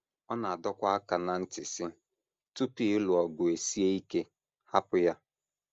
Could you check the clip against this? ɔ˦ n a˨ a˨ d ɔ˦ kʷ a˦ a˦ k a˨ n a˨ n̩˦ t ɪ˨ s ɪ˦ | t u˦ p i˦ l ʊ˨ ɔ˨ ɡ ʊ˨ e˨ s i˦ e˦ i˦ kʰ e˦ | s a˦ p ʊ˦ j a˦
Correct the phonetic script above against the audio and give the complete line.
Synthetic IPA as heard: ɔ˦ n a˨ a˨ d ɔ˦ kʷ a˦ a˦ k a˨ n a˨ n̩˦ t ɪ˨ s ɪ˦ | t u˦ p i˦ l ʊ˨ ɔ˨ ɡ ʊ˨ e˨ s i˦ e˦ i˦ k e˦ | h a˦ p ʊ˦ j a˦